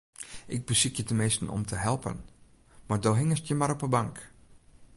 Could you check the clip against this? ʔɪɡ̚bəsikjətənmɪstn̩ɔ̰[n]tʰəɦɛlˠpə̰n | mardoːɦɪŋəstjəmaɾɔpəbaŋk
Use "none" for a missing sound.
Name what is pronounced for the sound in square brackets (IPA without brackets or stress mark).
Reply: m